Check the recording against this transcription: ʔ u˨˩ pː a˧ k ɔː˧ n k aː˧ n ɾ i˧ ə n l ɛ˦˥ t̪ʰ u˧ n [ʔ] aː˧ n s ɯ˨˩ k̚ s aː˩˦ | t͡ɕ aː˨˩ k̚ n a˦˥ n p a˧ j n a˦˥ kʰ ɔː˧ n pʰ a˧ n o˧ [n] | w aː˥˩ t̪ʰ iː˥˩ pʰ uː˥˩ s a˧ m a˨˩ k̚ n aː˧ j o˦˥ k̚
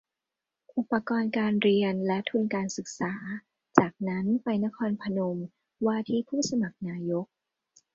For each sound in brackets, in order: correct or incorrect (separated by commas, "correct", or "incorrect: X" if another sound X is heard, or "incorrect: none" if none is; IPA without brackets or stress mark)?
incorrect: k, incorrect: m